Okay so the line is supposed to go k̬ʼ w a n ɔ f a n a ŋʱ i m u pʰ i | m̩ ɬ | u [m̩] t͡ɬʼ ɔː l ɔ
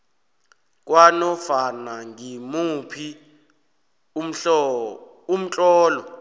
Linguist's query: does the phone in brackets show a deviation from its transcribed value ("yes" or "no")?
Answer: no